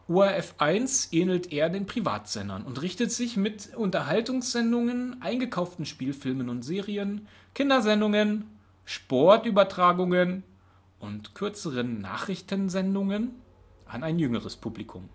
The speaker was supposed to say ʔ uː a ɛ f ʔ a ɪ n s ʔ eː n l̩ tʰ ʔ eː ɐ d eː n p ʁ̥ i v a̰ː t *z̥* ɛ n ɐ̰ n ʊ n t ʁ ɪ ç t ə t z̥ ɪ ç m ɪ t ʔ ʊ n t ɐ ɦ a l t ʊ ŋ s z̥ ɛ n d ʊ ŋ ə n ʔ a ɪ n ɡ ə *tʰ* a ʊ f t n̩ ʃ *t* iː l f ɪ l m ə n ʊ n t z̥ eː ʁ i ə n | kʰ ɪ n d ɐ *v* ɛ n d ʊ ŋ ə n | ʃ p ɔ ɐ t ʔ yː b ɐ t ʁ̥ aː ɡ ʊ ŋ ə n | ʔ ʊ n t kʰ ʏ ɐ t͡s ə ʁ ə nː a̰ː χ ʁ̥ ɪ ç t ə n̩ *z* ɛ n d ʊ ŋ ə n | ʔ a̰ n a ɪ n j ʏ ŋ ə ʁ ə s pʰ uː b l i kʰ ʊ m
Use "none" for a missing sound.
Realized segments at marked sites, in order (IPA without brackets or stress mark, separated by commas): z̥, kʰ, p, z, z